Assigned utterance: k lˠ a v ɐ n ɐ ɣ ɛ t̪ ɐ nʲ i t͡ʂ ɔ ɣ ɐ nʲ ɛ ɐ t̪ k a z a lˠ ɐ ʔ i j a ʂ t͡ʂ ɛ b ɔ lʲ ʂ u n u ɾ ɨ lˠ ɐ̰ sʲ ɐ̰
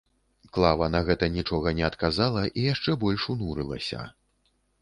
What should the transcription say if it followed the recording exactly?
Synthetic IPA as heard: k lˠ a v ɐ n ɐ ɣ ɛ t̪ ɐ nʲ i t͡ʂ ɔ ɣ ɐ nʲ ɛ ɐ t̪ k a z a lˠ ɐ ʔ i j a ʂ t͡ʂ ɛ b ɔ lʲ ʂ u n u ɾ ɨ lˠ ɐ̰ sʲ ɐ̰